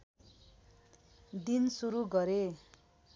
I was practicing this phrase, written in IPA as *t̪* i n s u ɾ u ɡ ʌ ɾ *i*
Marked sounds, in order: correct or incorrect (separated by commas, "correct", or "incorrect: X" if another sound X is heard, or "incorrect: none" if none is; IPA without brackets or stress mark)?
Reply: incorrect: d̪, incorrect: e